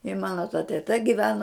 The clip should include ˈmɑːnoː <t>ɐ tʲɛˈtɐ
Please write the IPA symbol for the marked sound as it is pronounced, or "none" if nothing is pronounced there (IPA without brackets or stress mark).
t